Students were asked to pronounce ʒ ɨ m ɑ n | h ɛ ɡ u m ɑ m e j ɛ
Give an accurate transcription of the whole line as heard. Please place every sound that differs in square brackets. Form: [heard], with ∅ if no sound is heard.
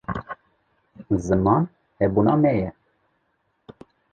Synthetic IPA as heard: [z] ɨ m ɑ n | h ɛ [b] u [n] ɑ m [ɛ] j ɛ

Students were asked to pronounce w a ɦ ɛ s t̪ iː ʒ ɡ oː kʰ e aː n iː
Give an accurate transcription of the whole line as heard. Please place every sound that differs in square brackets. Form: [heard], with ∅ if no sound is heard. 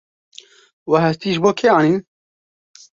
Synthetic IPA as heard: w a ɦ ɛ s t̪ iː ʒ [b] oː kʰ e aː n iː

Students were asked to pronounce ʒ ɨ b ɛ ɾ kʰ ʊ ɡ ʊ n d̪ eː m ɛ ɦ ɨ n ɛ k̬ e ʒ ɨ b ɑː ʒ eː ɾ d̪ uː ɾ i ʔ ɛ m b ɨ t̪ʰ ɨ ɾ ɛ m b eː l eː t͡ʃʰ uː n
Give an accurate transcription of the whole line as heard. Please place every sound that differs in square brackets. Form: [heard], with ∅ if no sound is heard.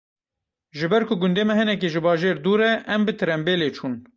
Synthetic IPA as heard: ʒ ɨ b ɛ ɾ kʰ ʊ ɡ ʊ n d̪ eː m ɛ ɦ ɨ n ɛ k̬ e ʒ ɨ b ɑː ʒ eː ɾ d̪ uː ɾ [ɛ] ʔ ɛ m b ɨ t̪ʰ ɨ ɾ ɛ m b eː l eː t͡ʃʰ uː n

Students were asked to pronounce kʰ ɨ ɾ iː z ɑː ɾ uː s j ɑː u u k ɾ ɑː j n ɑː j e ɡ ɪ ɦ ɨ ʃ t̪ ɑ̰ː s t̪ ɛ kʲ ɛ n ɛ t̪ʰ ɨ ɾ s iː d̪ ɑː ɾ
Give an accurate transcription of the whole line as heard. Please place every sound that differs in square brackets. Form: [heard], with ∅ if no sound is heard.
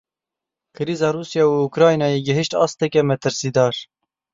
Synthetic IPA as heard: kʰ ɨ ɾ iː z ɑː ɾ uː s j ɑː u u k ɾ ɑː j n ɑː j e ɡ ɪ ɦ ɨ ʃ t̪ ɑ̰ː s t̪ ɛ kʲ ɛ [m] ɛ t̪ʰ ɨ ɾ s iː d̪ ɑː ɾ

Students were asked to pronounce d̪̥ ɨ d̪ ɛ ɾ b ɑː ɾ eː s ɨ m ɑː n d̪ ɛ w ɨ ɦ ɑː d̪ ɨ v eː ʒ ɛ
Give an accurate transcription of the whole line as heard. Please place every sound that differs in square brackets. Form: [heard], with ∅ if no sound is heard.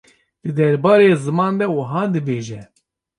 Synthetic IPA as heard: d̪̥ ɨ d̪ ɛ ɾ b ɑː ɾ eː [z] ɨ m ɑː n d̪ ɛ w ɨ ɦ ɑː d̪ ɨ [b] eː ʒ ɛ

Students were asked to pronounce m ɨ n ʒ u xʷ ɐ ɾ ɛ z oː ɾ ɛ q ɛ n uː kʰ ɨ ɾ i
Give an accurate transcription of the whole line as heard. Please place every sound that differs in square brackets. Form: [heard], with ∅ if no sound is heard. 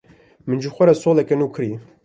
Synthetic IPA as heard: m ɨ n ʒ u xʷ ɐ ɾ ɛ [s] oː [l] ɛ [k] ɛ n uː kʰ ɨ ɾ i

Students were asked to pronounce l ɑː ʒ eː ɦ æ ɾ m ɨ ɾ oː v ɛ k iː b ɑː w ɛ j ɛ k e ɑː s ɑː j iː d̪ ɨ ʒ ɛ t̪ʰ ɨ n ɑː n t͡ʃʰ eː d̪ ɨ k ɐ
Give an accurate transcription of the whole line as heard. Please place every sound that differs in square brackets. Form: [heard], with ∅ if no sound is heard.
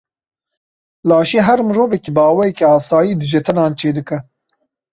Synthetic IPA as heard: l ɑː [ʃ] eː ɦ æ ɾ m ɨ ɾ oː v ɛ k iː b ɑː w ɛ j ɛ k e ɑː s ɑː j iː d̪ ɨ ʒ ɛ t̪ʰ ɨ n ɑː n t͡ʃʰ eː d̪ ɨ k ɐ

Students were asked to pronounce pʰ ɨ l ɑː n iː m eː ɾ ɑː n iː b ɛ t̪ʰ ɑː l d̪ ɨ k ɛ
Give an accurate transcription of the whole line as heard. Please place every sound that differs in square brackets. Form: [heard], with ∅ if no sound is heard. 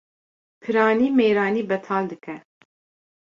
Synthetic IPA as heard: pʰ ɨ [ɾ] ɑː n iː m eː ɾ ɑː n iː b ɛ t̪ʰ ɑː l d̪ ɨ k ɛ

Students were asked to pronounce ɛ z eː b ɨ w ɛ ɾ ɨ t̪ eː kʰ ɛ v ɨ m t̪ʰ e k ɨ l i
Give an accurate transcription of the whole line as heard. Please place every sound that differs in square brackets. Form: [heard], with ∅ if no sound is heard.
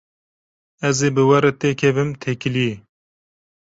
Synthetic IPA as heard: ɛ z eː b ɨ w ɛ ɾ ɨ t̪ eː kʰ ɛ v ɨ m t̪ʰ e k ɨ l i

